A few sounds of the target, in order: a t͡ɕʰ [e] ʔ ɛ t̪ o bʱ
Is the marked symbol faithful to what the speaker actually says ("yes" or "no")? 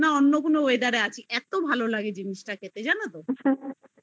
no